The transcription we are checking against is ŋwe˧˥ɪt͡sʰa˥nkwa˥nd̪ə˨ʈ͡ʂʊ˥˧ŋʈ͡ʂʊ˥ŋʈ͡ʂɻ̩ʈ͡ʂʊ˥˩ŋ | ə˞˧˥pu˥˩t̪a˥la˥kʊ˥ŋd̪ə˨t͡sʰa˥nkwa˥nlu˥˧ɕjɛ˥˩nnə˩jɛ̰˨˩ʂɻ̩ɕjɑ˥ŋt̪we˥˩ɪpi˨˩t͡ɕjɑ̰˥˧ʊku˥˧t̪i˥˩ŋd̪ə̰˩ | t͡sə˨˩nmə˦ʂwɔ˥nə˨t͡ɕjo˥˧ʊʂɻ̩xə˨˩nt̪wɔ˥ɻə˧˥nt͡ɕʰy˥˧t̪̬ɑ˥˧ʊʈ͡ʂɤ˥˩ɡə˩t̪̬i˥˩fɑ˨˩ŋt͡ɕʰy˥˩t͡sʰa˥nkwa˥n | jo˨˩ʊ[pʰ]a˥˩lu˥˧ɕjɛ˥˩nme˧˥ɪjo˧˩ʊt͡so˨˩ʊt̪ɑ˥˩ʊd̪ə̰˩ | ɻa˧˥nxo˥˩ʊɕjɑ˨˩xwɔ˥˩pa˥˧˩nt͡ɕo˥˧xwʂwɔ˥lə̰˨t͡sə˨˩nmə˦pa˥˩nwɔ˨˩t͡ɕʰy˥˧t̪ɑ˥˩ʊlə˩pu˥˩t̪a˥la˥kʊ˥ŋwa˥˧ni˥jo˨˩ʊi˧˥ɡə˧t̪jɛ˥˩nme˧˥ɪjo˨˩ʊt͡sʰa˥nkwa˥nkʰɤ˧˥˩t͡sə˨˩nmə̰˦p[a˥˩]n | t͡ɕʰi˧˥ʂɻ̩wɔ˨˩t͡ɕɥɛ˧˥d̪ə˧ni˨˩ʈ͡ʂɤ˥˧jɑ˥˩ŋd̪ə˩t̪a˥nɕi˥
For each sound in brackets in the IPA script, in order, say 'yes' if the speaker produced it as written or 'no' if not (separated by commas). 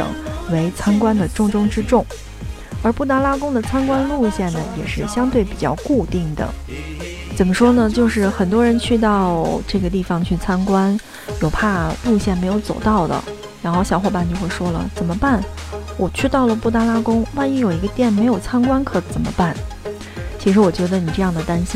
yes, yes